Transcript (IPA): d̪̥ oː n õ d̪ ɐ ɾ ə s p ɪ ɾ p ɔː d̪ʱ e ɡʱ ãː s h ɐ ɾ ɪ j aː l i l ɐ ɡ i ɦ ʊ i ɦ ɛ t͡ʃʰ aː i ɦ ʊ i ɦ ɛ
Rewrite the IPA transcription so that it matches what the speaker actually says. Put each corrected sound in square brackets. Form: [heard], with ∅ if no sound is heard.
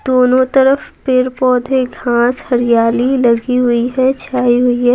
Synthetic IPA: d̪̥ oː n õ [t̪] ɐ ɾ ə [f] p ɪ ɾ p ɔː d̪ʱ e ɡʱ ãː s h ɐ ɾ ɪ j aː l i l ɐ ɡ i ɦ ʊ i ɦ ɛ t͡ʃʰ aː i ɦ ʊ i ɦ ɛ